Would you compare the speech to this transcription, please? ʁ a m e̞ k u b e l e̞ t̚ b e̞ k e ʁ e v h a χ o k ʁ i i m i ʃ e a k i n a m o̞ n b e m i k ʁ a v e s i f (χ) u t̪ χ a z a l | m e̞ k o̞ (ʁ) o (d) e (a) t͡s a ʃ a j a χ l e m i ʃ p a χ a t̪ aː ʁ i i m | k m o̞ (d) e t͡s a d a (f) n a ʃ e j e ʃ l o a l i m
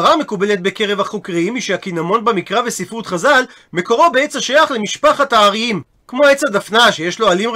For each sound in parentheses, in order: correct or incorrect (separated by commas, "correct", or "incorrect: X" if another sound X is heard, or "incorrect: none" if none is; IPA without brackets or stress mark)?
incorrect: ʁ, correct, incorrect: b, incorrect: e, incorrect: none, correct